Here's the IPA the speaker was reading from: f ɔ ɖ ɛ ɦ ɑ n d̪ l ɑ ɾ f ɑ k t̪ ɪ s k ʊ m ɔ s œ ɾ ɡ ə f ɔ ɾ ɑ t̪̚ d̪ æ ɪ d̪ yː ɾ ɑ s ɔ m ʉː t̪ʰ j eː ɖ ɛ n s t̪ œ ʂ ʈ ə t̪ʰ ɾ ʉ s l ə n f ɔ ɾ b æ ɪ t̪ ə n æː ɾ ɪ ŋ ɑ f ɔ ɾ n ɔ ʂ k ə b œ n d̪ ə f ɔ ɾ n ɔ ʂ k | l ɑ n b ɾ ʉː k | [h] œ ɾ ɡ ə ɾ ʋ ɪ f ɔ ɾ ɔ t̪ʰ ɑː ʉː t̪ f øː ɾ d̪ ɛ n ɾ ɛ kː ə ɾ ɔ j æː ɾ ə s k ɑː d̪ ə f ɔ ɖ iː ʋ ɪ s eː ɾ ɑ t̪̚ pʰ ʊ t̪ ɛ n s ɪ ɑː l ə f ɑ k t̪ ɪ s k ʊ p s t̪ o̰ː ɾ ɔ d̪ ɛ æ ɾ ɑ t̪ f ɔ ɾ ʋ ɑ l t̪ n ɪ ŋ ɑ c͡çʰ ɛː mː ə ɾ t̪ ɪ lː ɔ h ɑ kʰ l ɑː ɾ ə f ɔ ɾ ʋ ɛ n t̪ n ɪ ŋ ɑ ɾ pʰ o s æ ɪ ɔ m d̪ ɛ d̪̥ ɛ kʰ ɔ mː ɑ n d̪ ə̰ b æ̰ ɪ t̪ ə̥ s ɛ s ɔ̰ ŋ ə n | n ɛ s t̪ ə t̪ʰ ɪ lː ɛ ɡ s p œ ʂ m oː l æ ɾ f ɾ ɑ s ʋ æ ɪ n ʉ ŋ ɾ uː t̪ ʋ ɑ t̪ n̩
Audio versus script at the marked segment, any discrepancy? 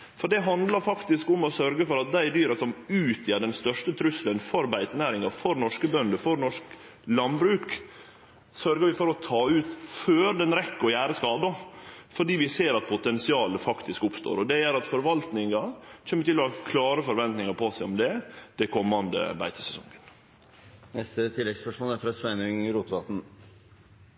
yes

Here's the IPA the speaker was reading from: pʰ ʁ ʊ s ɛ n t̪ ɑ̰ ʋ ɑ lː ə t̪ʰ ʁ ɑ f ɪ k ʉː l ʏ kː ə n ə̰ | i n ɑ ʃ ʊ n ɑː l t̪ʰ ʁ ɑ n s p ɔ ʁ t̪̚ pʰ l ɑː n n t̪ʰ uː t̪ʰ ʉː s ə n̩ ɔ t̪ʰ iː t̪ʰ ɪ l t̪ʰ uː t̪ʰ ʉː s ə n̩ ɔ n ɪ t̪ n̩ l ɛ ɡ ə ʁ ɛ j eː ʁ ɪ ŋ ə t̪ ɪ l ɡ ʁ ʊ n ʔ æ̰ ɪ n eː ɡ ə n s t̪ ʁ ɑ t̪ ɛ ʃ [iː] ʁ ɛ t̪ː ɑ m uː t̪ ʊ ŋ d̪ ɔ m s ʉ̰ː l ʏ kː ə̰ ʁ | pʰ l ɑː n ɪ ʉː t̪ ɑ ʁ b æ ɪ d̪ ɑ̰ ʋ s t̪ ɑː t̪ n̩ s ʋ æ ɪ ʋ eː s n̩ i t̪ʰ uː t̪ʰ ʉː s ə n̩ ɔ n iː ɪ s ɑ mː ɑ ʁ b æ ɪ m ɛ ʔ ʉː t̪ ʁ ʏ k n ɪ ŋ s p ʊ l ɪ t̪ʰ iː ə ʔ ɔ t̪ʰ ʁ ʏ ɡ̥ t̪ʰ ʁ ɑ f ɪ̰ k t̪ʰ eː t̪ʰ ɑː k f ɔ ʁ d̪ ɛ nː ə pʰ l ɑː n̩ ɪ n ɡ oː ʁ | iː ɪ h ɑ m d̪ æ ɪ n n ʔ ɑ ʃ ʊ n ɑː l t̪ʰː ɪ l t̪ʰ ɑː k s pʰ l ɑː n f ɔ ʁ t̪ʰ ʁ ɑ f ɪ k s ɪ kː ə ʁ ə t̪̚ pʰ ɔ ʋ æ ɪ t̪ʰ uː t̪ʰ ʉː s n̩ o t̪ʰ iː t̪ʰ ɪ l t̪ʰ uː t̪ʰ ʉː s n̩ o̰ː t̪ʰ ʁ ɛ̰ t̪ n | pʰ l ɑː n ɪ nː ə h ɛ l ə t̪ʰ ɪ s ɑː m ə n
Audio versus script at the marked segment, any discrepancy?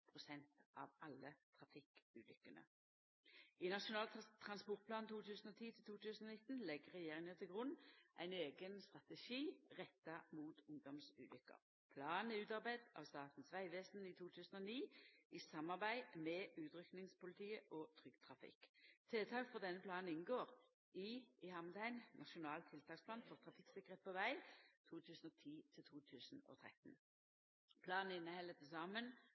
no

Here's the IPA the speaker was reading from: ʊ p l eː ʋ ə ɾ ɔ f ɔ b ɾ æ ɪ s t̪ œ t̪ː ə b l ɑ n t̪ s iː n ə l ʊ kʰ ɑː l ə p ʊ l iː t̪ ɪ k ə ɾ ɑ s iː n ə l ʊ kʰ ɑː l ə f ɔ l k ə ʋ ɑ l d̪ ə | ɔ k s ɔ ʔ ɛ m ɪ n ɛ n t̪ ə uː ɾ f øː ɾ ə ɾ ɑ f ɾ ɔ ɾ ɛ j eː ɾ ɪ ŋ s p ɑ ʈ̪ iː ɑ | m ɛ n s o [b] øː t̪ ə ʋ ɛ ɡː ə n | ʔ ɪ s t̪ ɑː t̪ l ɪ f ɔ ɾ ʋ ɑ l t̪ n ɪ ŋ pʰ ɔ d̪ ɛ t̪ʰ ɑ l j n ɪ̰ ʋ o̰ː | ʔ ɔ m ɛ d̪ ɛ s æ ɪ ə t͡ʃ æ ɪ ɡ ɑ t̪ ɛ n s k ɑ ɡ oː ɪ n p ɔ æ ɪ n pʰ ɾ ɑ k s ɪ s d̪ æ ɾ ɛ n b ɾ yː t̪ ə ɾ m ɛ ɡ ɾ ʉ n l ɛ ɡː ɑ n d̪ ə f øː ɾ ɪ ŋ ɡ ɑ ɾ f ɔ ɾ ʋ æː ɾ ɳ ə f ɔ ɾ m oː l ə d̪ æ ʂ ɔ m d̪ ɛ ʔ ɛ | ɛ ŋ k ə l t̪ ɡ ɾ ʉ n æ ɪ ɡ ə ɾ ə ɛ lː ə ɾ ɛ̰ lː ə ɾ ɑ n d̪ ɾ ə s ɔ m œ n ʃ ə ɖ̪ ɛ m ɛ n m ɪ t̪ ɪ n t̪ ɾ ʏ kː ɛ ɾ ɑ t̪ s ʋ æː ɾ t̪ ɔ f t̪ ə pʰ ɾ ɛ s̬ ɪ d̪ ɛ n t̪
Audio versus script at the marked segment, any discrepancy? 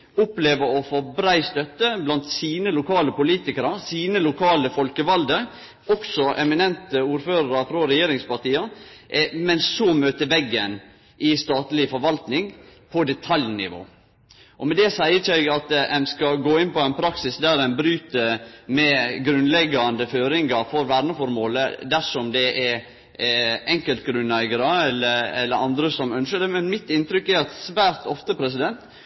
yes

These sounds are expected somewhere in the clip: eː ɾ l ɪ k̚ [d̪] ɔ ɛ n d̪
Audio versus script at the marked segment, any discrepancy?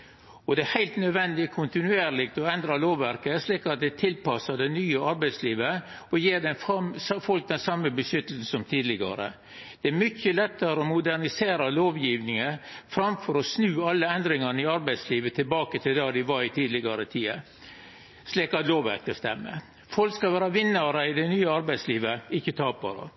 yes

